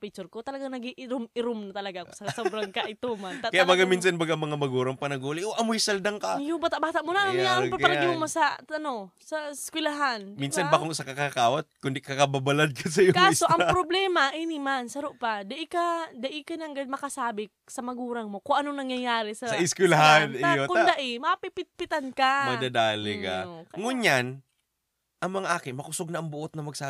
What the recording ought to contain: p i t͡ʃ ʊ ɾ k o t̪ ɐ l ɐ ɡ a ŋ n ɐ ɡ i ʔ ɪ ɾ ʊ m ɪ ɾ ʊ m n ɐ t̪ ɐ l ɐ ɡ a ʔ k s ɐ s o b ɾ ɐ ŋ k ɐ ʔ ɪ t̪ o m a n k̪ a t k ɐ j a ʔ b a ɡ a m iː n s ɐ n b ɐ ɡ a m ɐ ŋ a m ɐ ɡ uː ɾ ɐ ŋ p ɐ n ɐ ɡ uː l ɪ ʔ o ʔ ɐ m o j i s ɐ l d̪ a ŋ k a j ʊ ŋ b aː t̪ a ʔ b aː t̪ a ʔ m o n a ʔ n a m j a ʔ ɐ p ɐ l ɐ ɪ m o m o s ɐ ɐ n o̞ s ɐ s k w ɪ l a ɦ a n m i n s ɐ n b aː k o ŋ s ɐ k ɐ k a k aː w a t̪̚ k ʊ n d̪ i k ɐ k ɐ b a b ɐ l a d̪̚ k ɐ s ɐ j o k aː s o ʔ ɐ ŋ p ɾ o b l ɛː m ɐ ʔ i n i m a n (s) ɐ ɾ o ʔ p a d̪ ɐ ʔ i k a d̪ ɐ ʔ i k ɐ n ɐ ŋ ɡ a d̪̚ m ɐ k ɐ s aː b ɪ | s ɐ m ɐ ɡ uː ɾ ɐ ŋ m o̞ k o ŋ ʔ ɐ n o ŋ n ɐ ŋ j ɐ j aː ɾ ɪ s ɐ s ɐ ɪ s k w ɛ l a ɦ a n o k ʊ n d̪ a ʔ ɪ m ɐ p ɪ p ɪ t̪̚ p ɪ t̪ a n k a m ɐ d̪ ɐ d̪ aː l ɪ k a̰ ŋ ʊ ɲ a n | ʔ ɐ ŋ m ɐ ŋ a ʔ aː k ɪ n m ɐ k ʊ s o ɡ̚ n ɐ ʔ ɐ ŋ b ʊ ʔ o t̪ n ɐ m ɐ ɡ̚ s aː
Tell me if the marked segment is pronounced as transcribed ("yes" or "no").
yes